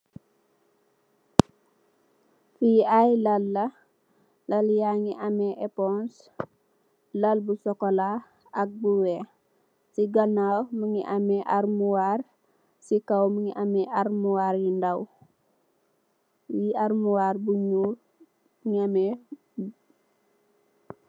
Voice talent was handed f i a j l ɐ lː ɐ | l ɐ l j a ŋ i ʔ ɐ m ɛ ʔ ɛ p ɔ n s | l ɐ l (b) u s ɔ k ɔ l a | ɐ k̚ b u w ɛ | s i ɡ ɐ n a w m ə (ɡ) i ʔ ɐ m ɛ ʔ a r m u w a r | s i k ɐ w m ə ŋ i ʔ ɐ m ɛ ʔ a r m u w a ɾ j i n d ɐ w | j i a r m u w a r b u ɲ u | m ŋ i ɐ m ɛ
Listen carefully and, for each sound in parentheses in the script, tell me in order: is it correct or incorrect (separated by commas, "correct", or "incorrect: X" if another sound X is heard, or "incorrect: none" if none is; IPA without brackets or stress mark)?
correct, incorrect: ŋ